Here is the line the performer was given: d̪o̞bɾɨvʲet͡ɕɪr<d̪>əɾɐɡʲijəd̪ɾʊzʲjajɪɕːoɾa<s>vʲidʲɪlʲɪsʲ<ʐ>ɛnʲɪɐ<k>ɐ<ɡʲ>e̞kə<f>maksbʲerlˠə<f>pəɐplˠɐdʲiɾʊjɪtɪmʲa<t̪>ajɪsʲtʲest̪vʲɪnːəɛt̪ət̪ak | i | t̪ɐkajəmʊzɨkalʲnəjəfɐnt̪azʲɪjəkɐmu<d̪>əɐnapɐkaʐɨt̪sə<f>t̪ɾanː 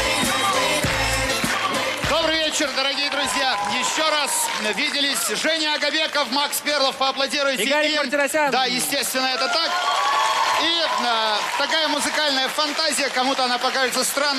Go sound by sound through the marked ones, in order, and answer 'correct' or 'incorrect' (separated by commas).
correct, correct, correct, incorrect, incorrect, correct, correct, incorrect, incorrect, incorrect